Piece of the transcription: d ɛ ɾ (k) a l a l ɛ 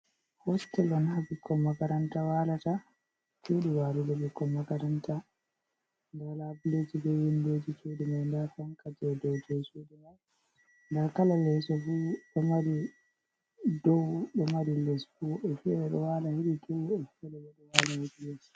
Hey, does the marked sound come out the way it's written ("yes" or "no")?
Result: yes